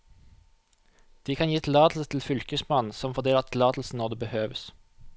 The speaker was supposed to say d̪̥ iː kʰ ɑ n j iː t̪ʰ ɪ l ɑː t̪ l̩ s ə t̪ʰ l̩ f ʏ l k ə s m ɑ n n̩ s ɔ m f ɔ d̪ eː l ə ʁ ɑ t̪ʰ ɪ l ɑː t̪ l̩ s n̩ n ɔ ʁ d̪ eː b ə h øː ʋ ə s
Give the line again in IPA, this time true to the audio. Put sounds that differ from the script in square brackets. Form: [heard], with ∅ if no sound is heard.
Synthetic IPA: d̪̥ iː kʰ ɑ n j iː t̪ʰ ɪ l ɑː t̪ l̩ s ə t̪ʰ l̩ f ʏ l k ə s m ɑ n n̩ s ɔ m f ɔ d̪ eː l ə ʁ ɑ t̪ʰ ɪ l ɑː t̪ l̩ s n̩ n ɔ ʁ d̪ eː b ə h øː ʋ ə s